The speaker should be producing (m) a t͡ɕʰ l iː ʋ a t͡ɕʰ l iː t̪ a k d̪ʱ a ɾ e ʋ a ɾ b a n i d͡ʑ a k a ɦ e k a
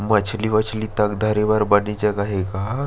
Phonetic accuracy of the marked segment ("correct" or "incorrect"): correct